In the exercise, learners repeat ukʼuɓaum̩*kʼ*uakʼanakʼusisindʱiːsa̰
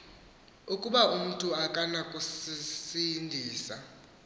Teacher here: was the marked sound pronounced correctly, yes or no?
no